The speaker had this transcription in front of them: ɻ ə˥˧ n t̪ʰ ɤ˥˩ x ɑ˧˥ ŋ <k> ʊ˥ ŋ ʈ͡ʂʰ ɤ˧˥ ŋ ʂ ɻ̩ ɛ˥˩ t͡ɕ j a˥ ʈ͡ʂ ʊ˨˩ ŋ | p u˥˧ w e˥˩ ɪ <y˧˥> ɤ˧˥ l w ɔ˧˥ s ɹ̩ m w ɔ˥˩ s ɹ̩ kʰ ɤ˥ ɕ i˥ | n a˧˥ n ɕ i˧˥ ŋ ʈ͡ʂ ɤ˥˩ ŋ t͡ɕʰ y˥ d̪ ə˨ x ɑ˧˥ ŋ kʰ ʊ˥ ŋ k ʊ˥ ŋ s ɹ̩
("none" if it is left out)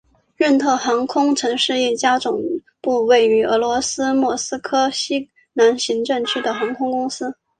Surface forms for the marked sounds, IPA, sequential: kʰ, y˧˥

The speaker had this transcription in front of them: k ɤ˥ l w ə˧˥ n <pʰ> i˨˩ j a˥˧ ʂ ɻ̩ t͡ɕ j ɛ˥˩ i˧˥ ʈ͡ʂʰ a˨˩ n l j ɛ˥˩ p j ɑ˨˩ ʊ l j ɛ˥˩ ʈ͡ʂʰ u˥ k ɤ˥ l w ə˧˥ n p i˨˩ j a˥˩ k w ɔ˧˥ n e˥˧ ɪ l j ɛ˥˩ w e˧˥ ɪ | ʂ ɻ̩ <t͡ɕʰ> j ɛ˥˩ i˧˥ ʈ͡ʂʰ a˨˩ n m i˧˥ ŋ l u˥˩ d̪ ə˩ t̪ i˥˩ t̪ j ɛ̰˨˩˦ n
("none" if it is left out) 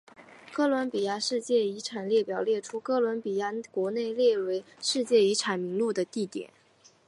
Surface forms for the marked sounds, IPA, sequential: p, t͡ɕ

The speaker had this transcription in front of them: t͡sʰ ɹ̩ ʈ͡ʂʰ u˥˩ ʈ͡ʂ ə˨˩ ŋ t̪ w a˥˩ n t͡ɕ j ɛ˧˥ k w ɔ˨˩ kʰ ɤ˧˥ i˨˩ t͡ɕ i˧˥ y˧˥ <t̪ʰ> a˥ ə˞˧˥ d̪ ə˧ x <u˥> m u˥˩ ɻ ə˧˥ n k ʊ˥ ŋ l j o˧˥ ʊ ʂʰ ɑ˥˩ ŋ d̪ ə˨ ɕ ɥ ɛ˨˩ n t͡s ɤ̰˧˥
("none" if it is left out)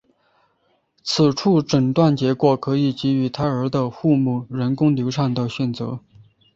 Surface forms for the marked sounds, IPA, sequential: t̪ʰ, u˥˧

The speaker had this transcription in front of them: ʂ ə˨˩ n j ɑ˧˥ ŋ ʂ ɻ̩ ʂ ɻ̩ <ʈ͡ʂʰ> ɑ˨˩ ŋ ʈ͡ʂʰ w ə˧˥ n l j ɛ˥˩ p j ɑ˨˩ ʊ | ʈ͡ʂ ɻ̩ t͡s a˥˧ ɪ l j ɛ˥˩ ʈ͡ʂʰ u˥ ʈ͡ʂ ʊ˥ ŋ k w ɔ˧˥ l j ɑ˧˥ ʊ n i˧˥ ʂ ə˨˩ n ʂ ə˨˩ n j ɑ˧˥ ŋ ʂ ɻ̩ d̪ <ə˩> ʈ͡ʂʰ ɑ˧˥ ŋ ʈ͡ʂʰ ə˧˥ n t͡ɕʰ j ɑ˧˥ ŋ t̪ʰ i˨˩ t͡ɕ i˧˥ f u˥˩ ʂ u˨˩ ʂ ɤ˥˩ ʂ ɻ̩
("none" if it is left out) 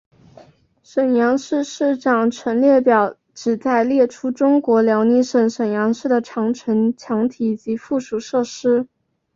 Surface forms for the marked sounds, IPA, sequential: ʈ͡ʂ, ə˩

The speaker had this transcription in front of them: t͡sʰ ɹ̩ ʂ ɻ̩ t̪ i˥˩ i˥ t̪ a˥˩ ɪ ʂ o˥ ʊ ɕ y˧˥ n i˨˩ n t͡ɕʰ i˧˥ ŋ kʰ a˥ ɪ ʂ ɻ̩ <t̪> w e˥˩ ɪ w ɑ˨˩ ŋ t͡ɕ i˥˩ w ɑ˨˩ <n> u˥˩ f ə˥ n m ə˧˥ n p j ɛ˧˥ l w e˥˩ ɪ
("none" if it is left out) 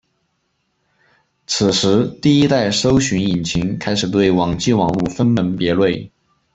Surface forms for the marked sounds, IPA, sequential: t̪, ŋ

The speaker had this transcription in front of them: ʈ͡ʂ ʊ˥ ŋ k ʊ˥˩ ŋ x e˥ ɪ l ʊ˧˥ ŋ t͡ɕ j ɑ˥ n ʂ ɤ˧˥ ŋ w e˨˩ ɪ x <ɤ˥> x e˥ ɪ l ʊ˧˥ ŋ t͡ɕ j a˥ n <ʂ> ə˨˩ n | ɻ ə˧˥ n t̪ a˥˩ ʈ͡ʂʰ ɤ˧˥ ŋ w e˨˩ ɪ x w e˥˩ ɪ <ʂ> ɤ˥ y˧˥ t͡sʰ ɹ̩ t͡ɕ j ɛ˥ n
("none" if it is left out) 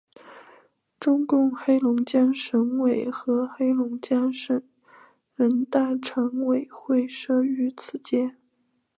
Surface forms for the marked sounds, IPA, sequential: ɤ˧˥, ʂ, ʂ

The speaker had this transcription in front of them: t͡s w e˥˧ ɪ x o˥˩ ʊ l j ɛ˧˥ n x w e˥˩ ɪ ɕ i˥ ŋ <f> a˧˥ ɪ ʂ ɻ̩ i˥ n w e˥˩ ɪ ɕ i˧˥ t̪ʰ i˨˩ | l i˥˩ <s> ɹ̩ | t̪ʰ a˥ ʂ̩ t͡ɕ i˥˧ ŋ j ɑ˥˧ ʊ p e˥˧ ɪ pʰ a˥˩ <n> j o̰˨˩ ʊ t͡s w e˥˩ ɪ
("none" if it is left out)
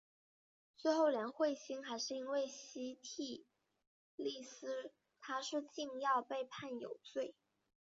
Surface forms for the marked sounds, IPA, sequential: x, s, n

